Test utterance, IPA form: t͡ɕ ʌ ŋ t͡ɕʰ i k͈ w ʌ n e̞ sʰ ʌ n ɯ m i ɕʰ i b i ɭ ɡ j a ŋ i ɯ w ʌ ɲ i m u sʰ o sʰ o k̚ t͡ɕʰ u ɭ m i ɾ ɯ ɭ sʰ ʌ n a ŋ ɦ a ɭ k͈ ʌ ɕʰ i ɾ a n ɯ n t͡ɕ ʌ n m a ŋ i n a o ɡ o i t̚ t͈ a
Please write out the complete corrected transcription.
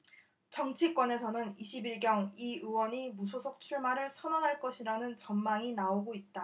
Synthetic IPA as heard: t͡ɕ ʌ ŋ t͡ɕʰ i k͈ w ʌ n e̞ sʰ ʌ n ɯ n i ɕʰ i b i ɭ ɡ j ʌ ŋ i ɯ w ʌ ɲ i m u sʰ o sʰ o k̚ t͡ɕʰ u ɭ m a ɾ ɯ ɭ sʰ ʌ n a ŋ ɦ a ɭ k͈ ʌ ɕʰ i ɾ a n ɯ n t͡ɕ ʌ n m a ŋ i n a o ɡ o i t̚ t͈ a